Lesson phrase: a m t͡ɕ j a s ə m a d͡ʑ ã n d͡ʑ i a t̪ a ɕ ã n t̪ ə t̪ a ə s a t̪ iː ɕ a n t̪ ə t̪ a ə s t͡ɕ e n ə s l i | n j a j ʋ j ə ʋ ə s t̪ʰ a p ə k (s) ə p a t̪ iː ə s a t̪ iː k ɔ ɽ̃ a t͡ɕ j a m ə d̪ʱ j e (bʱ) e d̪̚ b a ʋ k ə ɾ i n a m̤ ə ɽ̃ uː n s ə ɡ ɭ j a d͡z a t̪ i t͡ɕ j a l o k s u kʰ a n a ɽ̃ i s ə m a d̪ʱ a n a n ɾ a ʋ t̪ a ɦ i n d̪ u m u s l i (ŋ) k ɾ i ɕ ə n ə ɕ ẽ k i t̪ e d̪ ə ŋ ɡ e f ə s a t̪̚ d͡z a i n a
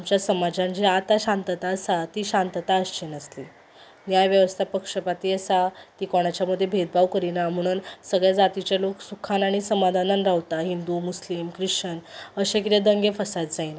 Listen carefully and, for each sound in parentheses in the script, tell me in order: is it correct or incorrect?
incorrect: ʂ, correct, incorrect: m

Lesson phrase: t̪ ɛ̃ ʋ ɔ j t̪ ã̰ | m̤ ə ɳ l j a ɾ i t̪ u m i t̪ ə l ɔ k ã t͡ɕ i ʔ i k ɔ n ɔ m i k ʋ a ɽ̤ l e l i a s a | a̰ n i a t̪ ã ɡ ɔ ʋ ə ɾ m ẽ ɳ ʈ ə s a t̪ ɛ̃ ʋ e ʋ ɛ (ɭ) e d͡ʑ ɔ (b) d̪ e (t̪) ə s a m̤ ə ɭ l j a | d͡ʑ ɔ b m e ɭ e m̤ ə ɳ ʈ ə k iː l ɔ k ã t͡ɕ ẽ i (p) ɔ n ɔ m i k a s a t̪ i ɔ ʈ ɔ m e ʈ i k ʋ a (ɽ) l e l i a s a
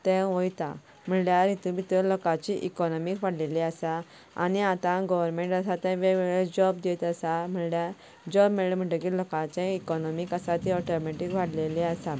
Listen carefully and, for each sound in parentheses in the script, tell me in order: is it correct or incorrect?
correct, correct, correct, incorrect: k, correct

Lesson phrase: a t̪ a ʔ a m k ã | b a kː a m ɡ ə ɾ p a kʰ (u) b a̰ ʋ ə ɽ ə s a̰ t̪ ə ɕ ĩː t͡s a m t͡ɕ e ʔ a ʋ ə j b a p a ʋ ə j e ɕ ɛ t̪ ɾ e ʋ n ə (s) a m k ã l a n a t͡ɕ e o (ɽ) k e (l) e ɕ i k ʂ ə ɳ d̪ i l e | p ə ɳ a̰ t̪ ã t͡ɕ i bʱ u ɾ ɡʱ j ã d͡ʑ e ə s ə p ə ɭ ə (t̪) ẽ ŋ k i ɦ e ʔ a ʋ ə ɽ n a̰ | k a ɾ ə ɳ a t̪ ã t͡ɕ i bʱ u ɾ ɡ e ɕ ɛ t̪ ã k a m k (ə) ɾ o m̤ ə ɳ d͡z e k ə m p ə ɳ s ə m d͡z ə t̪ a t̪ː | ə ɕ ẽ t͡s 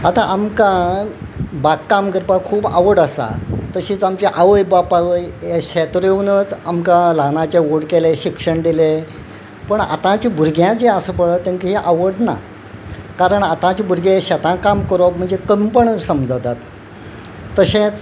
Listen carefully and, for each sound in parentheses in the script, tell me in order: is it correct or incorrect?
incorrect: uː, incorrect: t͡s, correct, correct, correct, correct

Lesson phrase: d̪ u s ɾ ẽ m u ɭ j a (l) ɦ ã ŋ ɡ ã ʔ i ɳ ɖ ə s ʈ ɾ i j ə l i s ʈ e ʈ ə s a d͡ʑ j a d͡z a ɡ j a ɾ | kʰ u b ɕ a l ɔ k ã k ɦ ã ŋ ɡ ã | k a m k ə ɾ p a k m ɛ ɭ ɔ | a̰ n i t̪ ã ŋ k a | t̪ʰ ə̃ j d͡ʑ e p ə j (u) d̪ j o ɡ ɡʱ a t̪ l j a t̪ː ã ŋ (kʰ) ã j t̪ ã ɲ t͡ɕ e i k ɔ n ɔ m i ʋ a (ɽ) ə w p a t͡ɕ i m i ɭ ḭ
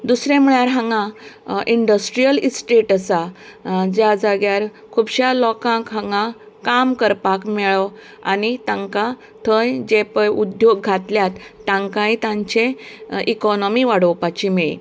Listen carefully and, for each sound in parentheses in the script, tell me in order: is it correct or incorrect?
incorrect: ɾ, correct, incorrect: k, correct

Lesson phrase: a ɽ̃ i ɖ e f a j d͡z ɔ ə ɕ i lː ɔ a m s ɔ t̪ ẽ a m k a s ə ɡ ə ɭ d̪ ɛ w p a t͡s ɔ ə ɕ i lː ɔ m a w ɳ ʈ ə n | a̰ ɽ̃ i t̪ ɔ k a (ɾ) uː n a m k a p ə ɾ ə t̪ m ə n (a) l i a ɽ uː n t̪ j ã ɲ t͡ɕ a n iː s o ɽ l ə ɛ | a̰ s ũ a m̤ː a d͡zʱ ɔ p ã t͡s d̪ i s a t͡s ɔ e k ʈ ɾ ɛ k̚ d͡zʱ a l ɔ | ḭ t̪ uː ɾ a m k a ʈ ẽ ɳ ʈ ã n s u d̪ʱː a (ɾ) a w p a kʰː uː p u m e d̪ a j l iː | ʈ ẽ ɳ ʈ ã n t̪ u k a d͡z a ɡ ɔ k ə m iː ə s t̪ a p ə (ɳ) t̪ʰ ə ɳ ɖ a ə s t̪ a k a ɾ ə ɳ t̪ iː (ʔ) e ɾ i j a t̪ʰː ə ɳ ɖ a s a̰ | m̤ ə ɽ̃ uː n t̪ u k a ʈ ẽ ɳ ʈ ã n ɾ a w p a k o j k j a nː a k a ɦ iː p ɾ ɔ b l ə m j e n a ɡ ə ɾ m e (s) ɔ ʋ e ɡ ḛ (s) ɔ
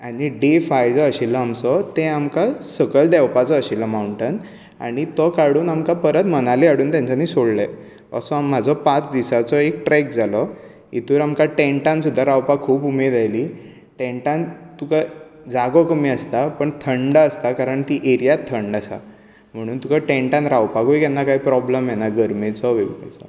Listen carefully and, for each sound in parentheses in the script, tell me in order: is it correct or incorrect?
incorrect: ɽ, correct, correct, correct, correct, incorrect: t͡s, incorrect: t͡s

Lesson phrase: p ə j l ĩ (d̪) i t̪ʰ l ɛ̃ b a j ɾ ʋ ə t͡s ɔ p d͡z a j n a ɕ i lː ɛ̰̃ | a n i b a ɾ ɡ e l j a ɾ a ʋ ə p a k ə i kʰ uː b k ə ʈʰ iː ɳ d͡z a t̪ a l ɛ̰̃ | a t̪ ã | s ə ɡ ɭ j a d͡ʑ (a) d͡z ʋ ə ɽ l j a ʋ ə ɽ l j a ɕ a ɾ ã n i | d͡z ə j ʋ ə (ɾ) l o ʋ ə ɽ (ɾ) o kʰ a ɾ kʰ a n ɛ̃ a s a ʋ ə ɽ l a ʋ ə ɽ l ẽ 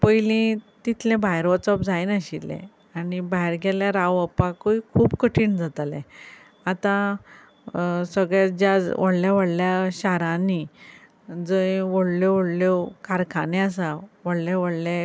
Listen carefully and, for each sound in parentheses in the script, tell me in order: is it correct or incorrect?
incorrect: t̪, correct, incorrect: ɽ, incorrect: l

